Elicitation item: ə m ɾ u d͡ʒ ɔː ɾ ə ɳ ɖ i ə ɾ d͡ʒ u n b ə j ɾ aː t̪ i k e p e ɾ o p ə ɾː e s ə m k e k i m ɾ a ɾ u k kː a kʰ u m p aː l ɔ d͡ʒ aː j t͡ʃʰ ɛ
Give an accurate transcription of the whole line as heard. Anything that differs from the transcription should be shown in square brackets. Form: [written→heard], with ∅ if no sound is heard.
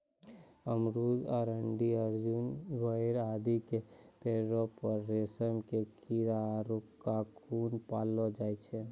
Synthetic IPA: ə m ɾ u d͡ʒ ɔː ɾ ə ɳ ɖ i ə ɾ d͡ʒ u n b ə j ɾ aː [t̪→d̪] i k e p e ɾ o p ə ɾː e s ə m k e k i [m→∅] ɾ a ɾ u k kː a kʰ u [m→n] p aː l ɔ d͡ʒ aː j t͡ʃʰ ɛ